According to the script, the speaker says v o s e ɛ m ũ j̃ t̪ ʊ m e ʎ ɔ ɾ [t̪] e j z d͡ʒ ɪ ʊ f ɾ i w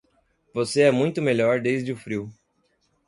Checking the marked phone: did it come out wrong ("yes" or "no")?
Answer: yes